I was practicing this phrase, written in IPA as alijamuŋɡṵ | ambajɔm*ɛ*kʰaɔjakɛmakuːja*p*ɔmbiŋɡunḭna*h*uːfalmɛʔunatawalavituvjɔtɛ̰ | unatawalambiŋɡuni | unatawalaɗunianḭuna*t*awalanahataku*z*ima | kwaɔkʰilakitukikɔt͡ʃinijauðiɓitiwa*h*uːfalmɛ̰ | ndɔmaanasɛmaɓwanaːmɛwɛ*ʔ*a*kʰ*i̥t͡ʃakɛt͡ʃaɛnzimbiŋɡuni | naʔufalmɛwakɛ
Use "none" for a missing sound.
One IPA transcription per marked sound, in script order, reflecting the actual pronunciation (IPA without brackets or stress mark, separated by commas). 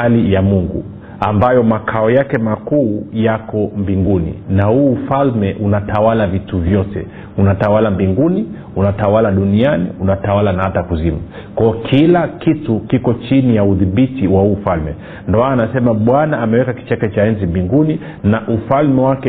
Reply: a, k, h, t, z, h, k, k